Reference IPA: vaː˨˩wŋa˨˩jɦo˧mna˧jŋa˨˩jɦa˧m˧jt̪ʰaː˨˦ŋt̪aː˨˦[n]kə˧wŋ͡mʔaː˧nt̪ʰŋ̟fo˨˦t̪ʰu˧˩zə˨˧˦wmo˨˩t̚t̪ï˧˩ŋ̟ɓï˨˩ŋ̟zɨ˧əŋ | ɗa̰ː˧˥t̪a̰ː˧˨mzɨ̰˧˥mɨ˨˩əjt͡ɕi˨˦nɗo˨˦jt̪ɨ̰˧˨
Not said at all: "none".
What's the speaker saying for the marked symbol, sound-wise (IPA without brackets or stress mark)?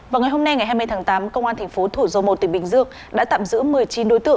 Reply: m